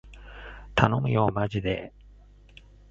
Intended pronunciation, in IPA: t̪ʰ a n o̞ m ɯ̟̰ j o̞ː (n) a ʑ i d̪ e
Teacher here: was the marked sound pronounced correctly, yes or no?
no